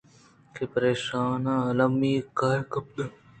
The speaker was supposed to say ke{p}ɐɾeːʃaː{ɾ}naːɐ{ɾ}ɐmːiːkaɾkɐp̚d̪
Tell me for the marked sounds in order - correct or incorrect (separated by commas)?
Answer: correct, incorrect, incorrect